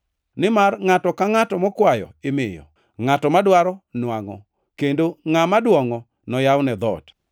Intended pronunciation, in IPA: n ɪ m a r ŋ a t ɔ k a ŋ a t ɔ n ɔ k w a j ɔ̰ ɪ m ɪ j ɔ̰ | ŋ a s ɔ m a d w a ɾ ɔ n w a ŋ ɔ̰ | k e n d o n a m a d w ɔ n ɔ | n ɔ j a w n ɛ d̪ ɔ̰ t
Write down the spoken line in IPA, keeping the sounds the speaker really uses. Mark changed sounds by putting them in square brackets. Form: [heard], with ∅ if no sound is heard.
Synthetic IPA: n ɪ m a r ŋ a t ɔ k a ŋ a t ɔ [m] ɔ k w a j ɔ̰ ɪ m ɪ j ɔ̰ | ŋ a [t] ɔ m a d w a ɾ ɔ n w a ŋ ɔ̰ | k e n d o [ŋ] a m a d w ɔ [ŋ] ɔ | n ɔ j a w n ɛ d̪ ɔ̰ t